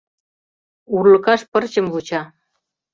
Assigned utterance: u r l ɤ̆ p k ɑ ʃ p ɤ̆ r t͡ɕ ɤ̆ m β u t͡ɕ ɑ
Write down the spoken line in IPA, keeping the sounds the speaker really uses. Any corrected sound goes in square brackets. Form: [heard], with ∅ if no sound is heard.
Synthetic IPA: u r l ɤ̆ [∅] k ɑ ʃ p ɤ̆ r t͡ɕ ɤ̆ m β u t͡ɕ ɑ